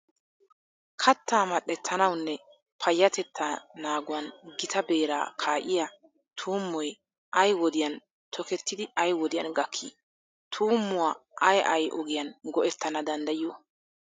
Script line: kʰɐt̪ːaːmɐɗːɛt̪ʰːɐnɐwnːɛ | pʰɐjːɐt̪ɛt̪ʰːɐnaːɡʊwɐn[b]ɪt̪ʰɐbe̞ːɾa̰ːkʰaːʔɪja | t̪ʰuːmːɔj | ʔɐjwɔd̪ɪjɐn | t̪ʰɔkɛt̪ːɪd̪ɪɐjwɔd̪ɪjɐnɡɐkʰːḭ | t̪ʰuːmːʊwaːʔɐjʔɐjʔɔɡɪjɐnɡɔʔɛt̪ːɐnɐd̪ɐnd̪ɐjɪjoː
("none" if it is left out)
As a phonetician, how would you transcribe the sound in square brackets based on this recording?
ɡ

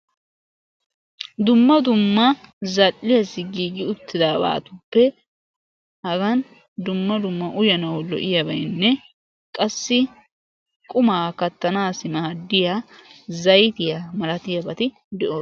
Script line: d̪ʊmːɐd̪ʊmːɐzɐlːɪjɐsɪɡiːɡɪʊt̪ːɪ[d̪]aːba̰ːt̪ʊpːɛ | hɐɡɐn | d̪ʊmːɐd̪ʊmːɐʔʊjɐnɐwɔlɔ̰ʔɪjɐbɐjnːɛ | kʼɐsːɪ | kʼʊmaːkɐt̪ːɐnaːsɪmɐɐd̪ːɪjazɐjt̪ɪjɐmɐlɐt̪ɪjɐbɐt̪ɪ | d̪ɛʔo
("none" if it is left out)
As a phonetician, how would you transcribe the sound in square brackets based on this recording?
d̪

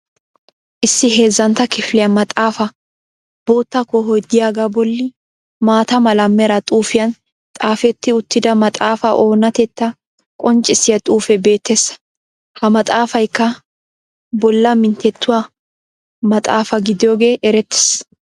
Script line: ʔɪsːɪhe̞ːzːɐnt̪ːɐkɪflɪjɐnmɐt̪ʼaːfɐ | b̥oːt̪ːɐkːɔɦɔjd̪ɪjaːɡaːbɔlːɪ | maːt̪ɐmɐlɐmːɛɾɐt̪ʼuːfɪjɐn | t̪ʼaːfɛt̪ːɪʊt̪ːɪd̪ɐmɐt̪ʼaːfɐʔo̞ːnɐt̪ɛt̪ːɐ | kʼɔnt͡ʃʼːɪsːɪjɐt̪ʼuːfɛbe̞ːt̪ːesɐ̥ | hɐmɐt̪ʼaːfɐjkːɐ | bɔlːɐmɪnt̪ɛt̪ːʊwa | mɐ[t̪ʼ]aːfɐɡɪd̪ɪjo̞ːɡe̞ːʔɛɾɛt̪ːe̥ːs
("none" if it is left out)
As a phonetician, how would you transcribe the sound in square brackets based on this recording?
t̪ʼ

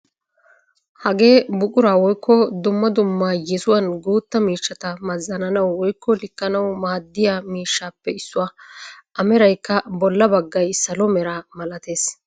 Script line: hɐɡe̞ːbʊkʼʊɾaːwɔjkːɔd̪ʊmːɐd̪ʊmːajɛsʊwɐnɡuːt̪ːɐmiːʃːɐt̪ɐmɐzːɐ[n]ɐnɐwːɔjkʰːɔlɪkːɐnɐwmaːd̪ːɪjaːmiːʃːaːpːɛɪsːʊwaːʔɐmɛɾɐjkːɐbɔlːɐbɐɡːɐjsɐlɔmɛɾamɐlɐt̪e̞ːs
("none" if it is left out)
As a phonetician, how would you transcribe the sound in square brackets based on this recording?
n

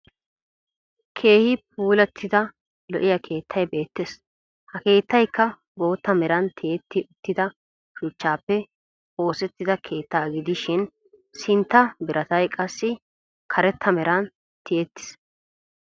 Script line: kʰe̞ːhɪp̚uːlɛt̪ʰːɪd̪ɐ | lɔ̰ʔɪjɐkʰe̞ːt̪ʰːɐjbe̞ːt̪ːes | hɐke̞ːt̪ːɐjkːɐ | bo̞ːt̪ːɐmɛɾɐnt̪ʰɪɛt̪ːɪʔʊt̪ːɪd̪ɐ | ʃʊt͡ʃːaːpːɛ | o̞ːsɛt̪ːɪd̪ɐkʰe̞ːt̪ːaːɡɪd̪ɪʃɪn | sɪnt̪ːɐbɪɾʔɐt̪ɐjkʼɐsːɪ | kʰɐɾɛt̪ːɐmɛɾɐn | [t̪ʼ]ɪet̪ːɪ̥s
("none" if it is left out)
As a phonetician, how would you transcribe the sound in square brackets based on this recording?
t̪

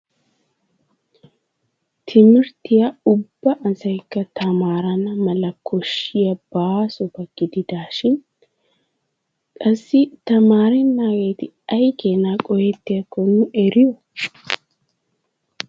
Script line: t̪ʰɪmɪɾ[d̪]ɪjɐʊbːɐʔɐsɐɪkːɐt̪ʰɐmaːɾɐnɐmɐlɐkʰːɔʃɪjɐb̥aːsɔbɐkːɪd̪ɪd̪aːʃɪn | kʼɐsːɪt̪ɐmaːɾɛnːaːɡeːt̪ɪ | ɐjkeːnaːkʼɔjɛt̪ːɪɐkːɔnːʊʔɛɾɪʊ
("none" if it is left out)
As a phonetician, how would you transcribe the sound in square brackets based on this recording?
t̪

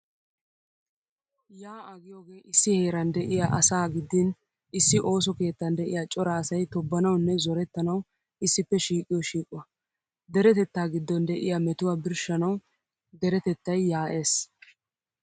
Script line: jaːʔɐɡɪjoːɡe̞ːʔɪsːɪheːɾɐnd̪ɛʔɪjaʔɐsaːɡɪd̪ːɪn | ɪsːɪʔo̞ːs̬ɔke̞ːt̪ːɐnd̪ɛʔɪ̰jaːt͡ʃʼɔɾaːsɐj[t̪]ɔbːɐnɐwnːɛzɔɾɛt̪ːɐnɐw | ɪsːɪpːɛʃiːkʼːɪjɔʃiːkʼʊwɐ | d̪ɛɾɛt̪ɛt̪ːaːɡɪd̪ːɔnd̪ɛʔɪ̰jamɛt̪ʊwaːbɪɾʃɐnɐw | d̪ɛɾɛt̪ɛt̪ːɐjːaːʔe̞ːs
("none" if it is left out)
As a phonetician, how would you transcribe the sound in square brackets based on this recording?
t̪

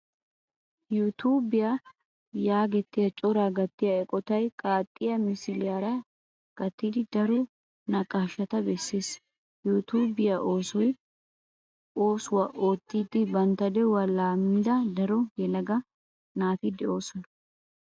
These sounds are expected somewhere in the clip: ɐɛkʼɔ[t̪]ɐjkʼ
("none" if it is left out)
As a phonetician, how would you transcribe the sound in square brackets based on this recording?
t̪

